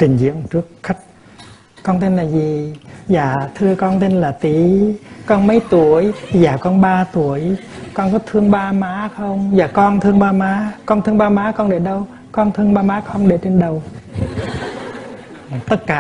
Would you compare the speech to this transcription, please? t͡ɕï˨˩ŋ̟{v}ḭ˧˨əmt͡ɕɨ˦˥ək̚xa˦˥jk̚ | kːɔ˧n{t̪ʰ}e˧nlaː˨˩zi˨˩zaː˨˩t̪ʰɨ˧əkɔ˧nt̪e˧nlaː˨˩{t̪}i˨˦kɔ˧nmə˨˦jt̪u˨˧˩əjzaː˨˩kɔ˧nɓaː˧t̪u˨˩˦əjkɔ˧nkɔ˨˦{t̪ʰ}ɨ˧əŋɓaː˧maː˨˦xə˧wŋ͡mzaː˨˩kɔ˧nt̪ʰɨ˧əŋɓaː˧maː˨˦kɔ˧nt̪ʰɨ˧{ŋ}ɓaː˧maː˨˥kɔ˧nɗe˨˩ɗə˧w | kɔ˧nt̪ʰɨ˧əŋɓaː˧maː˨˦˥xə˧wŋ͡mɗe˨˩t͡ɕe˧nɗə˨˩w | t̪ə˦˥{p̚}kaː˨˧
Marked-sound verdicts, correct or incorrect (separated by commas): incorrect, incorrect, correct, correct, correct, incorrect